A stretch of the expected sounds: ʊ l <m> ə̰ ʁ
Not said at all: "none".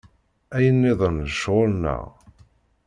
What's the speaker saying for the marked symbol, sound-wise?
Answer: n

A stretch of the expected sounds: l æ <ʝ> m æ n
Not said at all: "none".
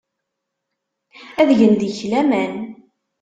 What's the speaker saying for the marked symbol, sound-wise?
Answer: none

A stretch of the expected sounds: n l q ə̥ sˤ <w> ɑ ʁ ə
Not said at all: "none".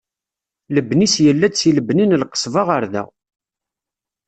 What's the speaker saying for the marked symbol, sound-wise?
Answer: v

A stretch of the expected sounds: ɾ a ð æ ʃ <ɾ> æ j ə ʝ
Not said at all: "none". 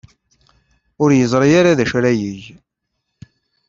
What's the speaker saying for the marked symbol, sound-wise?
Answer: ɾ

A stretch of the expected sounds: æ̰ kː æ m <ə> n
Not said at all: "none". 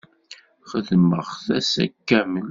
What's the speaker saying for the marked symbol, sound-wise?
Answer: ə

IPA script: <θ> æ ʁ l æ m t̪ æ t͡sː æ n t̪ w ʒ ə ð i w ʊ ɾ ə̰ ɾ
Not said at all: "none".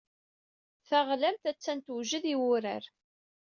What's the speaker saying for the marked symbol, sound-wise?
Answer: θ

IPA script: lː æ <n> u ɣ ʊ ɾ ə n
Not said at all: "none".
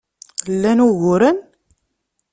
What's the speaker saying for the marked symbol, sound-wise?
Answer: n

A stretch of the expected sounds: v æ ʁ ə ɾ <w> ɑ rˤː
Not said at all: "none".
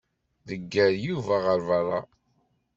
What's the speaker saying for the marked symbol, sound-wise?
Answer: v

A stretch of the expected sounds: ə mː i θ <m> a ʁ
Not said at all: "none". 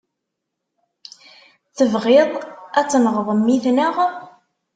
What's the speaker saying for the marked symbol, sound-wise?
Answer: n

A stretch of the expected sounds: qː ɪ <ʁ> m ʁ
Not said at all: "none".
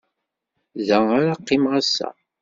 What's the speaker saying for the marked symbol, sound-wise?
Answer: none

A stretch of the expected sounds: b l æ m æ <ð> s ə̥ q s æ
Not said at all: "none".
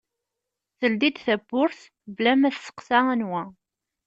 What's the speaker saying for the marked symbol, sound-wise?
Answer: θ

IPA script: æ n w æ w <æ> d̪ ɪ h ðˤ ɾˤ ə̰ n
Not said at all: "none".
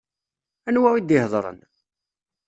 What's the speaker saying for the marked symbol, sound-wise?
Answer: i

